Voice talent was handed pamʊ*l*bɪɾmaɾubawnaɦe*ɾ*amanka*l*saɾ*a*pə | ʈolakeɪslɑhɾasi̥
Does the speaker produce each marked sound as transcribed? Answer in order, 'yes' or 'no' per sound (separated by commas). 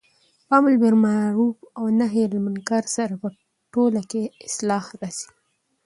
yes, no, no, yes